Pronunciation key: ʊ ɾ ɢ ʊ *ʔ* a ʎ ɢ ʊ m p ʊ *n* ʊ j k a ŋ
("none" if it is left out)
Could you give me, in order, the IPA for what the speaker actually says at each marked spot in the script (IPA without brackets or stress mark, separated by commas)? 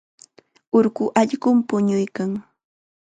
ʔ, ɲ